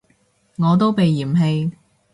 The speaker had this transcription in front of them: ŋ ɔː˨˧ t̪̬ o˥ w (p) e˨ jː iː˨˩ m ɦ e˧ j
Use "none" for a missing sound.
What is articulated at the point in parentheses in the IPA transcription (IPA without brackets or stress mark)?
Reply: p